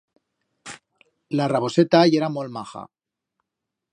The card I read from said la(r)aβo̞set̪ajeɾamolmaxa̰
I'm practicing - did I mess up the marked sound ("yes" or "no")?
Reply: no